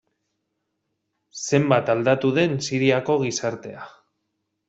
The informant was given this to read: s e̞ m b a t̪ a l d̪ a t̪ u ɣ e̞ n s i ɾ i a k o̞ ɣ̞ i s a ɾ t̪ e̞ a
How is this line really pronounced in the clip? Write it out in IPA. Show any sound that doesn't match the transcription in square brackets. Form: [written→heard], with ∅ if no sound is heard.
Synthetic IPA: s e̞ m b a t̪ a l d̪ a t̪ u [ɣ→ð] e̞ n s i ɾ i a k o̞ ɣ̞ i s a ɾ t̪ e̞ a